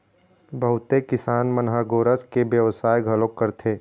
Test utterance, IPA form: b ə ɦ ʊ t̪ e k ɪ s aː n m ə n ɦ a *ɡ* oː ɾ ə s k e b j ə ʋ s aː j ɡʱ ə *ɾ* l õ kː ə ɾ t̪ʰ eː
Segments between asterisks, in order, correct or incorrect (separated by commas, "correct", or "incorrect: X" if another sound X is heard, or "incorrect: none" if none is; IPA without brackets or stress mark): correct, incorrect: none